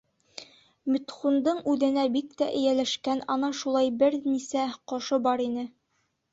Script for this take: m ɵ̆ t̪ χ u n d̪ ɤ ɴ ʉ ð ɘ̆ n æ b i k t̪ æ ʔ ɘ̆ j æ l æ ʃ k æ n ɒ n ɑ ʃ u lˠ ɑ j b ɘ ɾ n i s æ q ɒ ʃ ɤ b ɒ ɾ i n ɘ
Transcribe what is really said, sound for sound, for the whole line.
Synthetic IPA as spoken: m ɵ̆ t̪ χ u n d̪ ɤ ɴ ʉ ð ɘ̆ n æ b i k t̪ æ ʔ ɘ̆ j æ l æ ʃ k æ n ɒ n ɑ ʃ u lˠ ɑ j b ɘ ɾ n i s æ q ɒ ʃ ɤ b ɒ ɾ i n ɘ